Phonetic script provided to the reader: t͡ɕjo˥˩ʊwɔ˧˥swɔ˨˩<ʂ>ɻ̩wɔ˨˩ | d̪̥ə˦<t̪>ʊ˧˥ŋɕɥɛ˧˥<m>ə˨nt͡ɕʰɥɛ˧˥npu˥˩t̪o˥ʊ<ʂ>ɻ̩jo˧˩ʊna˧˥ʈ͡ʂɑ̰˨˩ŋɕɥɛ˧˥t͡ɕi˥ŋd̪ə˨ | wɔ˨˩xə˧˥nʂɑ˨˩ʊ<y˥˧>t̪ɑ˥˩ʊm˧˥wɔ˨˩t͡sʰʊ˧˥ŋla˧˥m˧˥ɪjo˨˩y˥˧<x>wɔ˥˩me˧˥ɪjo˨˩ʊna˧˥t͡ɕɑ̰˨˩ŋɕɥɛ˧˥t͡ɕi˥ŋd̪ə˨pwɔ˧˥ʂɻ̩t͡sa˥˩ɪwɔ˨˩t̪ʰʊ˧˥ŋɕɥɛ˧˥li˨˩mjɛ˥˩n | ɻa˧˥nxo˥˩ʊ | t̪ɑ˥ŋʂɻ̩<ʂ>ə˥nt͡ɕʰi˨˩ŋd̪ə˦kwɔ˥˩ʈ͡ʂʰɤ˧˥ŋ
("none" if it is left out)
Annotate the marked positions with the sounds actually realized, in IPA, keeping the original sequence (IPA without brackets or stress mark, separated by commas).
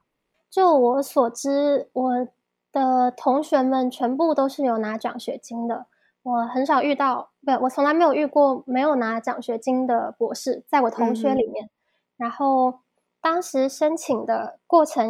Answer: ʈ͡ʂ, t̪ʰ, m, ʂ, y˥˧, k, ʂ